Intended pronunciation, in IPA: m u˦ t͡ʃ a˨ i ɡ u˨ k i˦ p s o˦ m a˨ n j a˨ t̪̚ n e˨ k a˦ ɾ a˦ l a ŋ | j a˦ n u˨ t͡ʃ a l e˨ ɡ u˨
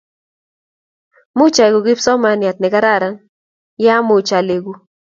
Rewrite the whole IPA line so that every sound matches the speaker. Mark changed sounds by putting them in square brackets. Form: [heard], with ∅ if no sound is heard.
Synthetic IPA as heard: m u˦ t͡ʃ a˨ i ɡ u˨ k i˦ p s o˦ m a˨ n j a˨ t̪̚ n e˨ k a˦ ɾ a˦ [ɾ] a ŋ | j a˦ [m] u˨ t͡ʃ a l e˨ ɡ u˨